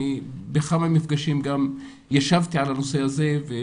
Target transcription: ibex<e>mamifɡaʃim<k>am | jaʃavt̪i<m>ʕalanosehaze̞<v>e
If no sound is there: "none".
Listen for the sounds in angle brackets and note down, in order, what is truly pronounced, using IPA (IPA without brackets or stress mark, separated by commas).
a, ɡ, none, v